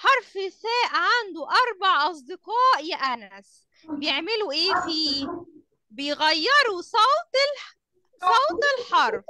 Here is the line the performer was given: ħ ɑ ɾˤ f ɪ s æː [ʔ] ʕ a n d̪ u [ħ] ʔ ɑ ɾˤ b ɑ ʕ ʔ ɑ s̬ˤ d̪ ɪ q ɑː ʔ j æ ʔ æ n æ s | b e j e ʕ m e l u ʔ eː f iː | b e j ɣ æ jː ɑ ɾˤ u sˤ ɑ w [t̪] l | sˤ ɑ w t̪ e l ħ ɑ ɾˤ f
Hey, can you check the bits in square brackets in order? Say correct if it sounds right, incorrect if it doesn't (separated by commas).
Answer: correct, incorrect, correct